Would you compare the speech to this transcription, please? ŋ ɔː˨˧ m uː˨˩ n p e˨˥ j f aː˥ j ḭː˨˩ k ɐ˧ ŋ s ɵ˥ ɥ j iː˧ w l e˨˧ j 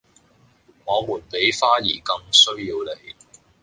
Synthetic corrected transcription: ŋ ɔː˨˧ m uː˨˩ n p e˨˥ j f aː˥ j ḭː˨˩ k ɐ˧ ŋ s ɵ˥ ɥ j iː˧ w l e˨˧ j

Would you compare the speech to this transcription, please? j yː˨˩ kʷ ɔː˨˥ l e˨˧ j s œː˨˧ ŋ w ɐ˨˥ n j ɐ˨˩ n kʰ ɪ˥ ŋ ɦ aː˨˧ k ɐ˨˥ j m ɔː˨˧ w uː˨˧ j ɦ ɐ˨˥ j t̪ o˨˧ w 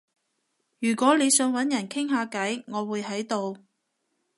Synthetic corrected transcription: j yː˨˩ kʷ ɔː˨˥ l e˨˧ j s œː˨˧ ŋ w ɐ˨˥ n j ɐ˨˩ n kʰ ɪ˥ ŋ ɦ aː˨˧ k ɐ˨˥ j ŋ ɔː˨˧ w uː˨˧ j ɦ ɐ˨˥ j t̪ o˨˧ w

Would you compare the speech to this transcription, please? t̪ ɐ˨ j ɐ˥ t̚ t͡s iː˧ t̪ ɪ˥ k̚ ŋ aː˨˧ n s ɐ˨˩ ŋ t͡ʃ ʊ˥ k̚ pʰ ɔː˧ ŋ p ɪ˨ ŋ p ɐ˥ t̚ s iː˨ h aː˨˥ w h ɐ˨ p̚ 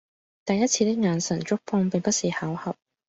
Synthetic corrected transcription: t̪ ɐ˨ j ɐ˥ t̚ t͡sʰ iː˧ t̪ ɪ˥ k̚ ŋ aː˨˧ n s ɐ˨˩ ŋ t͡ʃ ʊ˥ k̚ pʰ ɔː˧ ŋ p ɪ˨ ŋ p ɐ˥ t̚ s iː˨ h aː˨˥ w h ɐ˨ p̚

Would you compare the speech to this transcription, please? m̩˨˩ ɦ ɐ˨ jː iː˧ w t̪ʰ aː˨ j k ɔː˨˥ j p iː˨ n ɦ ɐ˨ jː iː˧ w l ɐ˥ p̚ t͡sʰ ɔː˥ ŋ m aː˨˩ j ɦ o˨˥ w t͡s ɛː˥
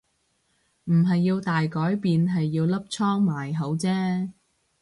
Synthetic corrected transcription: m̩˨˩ ɦ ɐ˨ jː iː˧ w t̪ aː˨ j k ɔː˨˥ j p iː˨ n ɦ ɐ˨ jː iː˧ w l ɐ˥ p̚ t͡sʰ ɔː˥ ŋ m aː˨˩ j ɦ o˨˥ w t͡s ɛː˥

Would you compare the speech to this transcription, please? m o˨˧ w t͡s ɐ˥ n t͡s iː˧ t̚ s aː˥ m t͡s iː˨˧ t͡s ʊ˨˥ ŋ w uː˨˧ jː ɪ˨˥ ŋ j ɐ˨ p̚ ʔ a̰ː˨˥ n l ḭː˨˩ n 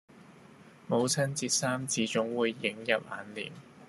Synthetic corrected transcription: m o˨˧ w t͡sʰ ɐ˥ n t͡s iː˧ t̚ s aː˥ m t͡s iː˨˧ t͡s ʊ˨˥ ŋ w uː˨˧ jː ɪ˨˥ ŋ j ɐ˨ p̚ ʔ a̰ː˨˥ n l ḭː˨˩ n

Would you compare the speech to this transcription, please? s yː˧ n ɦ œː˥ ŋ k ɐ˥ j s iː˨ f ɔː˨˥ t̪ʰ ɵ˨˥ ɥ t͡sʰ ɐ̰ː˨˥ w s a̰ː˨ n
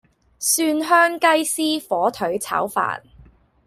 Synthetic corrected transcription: s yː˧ n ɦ œː˥ ŋ k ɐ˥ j s iː˥ f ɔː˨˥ t̪ʰ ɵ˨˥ ɥ t͡sʰ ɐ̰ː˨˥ w f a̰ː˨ n

